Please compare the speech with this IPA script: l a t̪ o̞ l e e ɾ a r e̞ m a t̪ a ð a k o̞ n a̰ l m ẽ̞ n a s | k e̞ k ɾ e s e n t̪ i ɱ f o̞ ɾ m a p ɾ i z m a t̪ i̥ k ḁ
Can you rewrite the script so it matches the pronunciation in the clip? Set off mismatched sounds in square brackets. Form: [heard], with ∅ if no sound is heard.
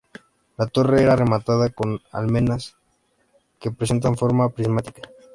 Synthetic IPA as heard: l a t̪ o̞ [r] e e ɾ a r e̞ m a t̪ a ð a k o̞ n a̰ l m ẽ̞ n a s | k e̞ [p] ɾ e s e n t̪ [a] ɱ f o̞ ɾ m a p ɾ i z m a t̪ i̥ k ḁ